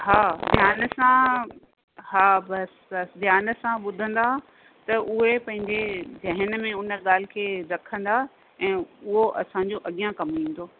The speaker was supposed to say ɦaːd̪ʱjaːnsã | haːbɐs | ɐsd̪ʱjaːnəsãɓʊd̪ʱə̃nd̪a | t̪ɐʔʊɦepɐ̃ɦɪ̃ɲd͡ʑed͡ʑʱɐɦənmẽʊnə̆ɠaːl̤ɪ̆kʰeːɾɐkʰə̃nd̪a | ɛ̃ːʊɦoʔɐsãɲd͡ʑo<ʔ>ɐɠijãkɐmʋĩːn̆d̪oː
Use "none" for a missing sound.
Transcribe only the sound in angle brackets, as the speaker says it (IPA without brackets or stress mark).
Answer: ʔ